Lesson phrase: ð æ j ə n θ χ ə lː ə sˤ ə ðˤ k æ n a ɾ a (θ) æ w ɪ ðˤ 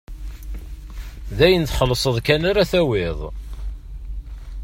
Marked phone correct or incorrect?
correct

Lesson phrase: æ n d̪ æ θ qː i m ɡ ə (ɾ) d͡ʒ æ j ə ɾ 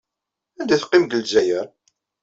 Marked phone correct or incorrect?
incorrect: l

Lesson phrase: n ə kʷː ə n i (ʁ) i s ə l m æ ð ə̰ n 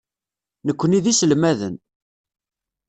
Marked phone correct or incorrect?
incorrect: ð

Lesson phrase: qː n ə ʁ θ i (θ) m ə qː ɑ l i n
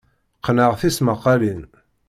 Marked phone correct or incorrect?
incorrect: s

